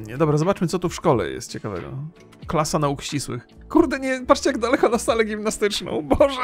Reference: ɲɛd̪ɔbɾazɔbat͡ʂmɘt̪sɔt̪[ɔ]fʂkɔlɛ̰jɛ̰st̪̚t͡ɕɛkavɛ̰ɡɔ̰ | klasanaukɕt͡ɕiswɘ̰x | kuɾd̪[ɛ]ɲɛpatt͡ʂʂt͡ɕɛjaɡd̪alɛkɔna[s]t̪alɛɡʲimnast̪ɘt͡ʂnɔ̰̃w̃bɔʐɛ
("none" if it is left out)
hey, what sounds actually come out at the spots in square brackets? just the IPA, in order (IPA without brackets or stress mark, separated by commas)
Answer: u, ɛ, s